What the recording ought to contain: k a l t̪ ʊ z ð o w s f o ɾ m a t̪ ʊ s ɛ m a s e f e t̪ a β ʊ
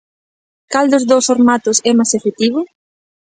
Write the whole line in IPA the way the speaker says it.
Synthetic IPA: k a l d̪ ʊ z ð o w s f o ɾ m a t̪ ʊ s ɛ m a s e f e t̪ i β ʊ

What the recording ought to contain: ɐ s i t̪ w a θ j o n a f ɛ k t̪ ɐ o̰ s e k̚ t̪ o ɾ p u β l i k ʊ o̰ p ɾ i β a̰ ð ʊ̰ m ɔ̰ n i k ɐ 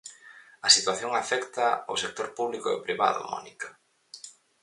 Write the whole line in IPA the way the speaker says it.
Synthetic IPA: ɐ s i t̪ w a θ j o ŋ a f ɛ k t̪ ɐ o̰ s e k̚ t̪ o ɾ p u β l i k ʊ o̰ p ɾ i β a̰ ð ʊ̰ m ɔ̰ n i k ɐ

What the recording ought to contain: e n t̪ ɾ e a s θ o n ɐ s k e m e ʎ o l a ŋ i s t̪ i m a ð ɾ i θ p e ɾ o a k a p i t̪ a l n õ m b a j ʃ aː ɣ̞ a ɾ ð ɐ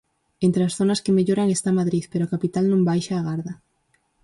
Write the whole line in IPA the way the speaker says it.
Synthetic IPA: e n t̪ ɾ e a s θ o n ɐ s k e m e ʎ o ɾ a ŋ e s t̪ a m a ð ɾ i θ p e ɾ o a k a p i t̪ a l n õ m b a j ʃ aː ɣ̞ a ɾ ð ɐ

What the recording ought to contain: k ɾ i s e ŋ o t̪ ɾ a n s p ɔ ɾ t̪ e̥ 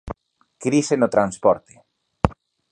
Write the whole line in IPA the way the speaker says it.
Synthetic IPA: k ɾ i s e n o t̪ ɾ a n s p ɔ ɾ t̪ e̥

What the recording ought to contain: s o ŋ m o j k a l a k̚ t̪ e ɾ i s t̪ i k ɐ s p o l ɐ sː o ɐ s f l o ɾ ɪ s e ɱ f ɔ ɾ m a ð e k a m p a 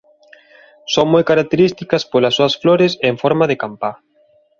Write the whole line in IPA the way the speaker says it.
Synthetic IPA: s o ŋ m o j k a ɾ a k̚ t̪ e ɾ i s t̪ i k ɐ s p o l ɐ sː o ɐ s f l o ɾ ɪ s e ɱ f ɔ ɾ m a ð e k a m p a

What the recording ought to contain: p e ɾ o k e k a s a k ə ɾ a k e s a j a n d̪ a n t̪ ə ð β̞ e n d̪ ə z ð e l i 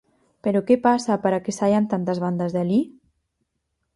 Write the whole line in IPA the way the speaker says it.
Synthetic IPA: p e ɾ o k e p a s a p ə ɾ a k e s a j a n t̪ a n t̪ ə z β̞ a n d̪ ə z ð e l i

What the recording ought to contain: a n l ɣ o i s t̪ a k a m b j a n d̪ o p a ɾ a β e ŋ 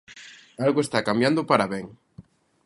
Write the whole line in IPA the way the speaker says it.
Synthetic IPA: a l ɣ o e s t̪ a k a m b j a n d̪ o p a ɾ a β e ŋ

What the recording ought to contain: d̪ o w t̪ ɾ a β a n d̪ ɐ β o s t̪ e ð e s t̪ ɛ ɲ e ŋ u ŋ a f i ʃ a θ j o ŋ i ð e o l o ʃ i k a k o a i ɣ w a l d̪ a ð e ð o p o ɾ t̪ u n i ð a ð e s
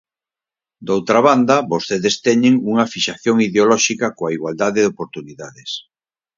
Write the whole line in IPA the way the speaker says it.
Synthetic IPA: d̪ o w t̪ ɾ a β a n d̪ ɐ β o s t̪ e ð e s t̪ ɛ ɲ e ŋ u ŋ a f i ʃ a θ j o ŋ i ð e o l ɔ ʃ i k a k o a i ɣ w a l d̪ a ð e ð o p o ɾ t̪ u n i ð a ð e s

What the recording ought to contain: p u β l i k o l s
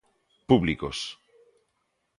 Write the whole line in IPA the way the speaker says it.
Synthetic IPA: p u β l i k o s

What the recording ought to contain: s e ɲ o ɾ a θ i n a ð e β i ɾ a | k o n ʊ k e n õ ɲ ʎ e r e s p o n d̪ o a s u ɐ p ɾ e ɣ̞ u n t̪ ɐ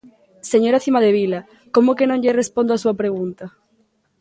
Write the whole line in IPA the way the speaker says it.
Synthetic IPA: s e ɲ o ɾ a θ i m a ð e β i l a | k o m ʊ k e n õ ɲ ʎ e r e s p o n d̪ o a s u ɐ p ɾ e ɣ̞ u n t̪ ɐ

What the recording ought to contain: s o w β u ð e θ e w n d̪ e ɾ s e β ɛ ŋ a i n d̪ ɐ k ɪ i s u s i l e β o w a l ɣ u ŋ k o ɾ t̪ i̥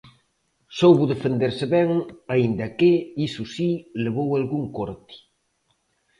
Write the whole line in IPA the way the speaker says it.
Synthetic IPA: s o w β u ð e f e n d̪ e ɾ s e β ɛ ŋ a i n d̪ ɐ k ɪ i s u s i l e β o w a l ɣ u ŋ k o ɾ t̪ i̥

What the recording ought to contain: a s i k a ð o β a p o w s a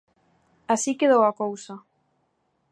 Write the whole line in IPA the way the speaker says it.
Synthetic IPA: a s i k e ð o w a k o w s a

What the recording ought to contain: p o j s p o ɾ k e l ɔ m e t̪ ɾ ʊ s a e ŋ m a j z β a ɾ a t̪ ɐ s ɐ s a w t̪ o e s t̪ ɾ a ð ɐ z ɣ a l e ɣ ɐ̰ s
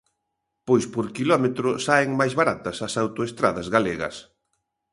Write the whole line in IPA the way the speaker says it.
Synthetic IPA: p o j s p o ɾ k i l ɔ m e t̪ ɾ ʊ s a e ŋ m a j z β a ɾ a t̪ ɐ s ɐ s a w t̪ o e s t̪ ɾ a ð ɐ z ɣ a l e ɣ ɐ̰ s

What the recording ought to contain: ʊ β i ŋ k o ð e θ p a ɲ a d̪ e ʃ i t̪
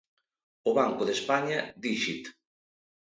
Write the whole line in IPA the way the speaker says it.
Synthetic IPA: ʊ β a ŋ k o ð e s p a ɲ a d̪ i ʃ i t̪

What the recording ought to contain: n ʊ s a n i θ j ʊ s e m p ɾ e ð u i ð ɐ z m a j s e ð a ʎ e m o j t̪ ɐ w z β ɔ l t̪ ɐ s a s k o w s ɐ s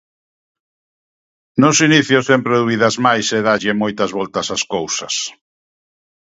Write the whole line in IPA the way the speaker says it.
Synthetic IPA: n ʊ s i n i θ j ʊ s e m p ɾ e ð u i ð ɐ z m a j s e ð a ʎ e m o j t̪ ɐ z β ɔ l t̪ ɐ s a s k o w s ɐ s

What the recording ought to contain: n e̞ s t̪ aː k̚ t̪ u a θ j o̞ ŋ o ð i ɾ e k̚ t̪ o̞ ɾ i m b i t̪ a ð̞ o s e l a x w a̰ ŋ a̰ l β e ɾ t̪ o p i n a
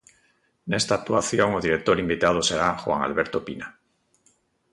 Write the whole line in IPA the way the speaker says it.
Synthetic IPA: n e̞ s t̪ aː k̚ t̪ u a θ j o̞ ŋ o ð i ɾ e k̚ t̪ o̞ ɾ i m b i t̪ a ð̞ o s e ɾ a x w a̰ ŋ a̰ l β e ɾ t̪ o p i n a

